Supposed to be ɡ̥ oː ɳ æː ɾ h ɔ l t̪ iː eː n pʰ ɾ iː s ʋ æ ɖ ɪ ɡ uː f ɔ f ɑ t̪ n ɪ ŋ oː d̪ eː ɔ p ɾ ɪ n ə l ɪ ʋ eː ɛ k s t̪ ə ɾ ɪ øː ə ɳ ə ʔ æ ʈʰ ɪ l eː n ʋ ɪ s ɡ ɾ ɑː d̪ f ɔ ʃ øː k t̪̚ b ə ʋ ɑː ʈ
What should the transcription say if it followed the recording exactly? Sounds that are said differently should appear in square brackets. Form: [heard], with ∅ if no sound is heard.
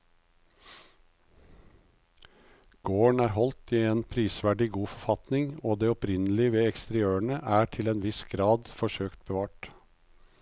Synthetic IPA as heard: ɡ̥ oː ɳ æː ɾ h ɔ l t̪ iː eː n pʰ ɾ iː s ʋ æ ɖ ɪ ɡ uː f ɔ f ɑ t̪ n ɪ ŋ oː d̪ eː ɔ p ɾ ɪ n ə l ɪ ʋ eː ɛ k s t̪ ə ɾ ɪ øː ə ɳ ə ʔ [æː] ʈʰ ɪ l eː n ʋ ɪ s ɡ ɾ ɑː d̪ f ɔ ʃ øː k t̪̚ b ə ʋ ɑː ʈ

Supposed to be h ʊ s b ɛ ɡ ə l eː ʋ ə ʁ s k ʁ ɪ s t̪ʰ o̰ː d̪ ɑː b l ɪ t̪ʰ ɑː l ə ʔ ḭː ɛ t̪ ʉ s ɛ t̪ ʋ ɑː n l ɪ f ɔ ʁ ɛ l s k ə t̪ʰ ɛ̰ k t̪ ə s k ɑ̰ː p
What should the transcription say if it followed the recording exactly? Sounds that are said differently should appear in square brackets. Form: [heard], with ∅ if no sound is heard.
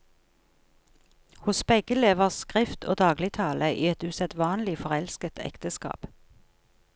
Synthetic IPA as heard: h ʊ s b ɛ ɡ ə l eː ʋ ə ʁ s k ʁ ɪ [f] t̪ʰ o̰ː d̪ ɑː [ɡ] l ɪ t̪ʰ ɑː l ə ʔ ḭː ɛ t̪ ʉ s ɛ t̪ ʋ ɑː n l ɪ f ɔ ʁ ɛ l s k ə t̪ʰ ɛ̰ k t̪ ə s k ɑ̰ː p

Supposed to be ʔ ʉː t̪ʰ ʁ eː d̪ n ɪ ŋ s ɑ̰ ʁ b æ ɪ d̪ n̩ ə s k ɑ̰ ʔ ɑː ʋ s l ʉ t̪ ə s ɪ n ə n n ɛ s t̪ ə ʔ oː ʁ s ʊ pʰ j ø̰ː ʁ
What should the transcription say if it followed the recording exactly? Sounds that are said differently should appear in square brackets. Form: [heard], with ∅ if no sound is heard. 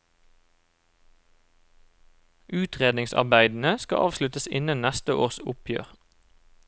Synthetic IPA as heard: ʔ ʉː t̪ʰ ʁ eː d̪ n ɪ ŋ s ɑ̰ ʁ b æ ɪ d̪ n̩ ə s k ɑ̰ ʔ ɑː ʋ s l ʉ t̪ ə s ɪ n ə n n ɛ s t̪ ə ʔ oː ʁ s ʊ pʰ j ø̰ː ʁ

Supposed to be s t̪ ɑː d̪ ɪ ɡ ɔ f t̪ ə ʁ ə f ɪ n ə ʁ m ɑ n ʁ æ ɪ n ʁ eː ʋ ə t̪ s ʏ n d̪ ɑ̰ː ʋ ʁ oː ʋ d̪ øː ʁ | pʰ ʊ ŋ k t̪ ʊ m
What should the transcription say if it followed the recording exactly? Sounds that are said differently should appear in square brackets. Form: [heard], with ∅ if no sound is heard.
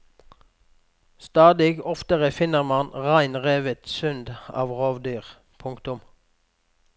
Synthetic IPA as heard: s t̪ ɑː d̪ ɪ ɡ ɔ f t̪ ə ʁ ə f ɪ n ə ʁ m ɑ n ʁ æ ɪ n ʁ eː ʋ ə t̪ s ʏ n d̪ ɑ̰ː ʋ ʁ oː ʋ d̪ [yː] ʁ | pʰ ʊ ŋ k t̪ ʊ m

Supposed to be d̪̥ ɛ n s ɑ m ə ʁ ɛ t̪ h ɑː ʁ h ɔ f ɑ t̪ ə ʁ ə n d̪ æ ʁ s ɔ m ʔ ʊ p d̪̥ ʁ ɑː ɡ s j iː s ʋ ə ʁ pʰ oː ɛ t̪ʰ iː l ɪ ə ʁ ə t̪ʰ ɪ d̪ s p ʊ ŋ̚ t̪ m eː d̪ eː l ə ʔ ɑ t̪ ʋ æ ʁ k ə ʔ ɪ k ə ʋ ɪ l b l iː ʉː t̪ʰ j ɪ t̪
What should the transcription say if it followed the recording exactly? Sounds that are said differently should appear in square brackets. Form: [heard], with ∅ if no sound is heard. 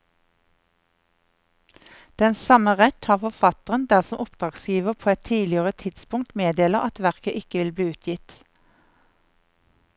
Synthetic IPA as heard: d̪̥ ɛ n s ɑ m ə ʁ ɛ t̪ h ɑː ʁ [f] ɔ f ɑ t̪ ə ʁ ə n d̪ æ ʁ s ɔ m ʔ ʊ p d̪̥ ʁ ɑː ɡ s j iː [∅] ʋ ə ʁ pʰ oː ɛ t̪ʰ iː l ɪ ə ʁ ə t̪ʰ ɪ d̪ s p ʊ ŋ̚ t̪ m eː d̪ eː l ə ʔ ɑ t̪ ʋ æ ʁ k ə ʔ ɪ k ə ʋ ɪ l b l iː ʉː t̪ʰ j ɪ t̪

